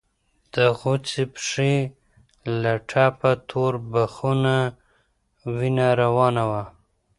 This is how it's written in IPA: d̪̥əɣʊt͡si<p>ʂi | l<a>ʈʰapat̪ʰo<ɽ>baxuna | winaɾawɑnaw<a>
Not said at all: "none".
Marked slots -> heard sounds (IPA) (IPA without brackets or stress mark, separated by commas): p, a, ɾ, a